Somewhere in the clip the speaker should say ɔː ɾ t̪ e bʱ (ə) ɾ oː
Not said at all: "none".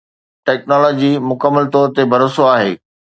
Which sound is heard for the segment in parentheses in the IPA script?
ɐ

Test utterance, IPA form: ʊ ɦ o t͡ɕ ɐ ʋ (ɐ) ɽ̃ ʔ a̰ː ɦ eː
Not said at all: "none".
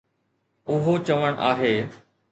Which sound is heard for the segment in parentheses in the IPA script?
ə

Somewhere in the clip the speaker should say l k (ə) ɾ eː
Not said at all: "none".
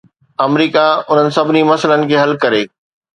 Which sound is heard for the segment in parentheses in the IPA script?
ɐ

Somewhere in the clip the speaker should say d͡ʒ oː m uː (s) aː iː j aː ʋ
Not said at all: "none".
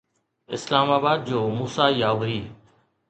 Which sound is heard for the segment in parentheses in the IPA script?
s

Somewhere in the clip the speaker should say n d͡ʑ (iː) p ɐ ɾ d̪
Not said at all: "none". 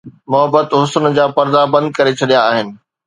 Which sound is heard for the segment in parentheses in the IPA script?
aː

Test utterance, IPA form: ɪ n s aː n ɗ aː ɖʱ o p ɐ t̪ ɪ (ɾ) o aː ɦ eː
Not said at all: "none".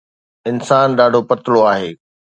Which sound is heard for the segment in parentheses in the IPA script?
l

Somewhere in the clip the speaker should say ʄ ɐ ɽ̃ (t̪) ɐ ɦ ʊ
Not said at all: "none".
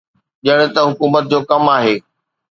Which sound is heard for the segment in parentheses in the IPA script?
t̪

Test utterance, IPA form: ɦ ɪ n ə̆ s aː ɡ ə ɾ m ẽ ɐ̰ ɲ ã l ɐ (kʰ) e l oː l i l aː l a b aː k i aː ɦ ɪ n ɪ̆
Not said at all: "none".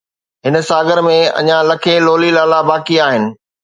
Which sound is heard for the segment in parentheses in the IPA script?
kʰ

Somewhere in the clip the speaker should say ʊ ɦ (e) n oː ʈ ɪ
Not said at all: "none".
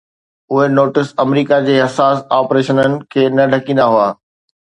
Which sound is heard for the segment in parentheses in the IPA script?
e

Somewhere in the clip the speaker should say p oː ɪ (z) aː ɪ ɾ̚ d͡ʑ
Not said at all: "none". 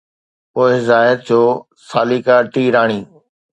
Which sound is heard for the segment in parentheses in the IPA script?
z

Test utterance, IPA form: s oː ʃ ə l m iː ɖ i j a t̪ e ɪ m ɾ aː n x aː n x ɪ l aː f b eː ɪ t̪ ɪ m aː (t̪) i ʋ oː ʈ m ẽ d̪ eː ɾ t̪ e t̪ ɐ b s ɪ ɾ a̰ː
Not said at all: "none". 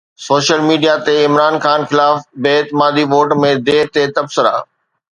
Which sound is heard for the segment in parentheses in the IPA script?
d̪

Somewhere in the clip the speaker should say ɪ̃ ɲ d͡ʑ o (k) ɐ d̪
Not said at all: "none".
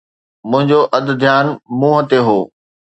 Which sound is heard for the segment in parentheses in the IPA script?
ʔ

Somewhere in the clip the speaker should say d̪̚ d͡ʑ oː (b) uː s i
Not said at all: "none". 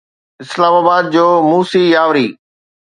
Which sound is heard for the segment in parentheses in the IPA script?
m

